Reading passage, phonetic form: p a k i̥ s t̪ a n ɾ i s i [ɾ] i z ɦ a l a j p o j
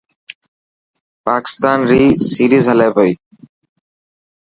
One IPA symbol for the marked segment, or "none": ɾ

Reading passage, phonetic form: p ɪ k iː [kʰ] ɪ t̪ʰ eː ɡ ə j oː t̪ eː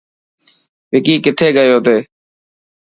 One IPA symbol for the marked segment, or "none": k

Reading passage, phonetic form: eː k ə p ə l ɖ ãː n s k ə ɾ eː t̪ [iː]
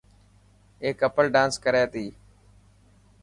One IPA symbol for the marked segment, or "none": iː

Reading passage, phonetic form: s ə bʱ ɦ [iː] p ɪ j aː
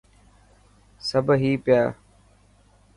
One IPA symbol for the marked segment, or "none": iː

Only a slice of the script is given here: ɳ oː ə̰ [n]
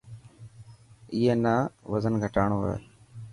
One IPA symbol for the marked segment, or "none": none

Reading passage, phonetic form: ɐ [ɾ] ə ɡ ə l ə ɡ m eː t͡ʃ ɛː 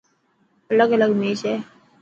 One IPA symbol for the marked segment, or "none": l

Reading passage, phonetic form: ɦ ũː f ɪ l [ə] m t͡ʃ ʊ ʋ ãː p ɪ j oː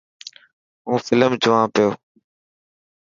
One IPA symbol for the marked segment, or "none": ə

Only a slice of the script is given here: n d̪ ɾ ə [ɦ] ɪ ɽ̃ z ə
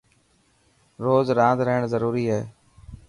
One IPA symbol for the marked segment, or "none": ɦ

